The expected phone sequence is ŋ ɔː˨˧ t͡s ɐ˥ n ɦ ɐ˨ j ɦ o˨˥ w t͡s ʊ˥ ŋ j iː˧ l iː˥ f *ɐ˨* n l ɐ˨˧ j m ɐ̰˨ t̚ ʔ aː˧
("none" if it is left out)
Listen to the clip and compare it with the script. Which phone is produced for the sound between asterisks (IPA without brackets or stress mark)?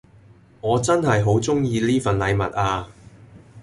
ɐ˨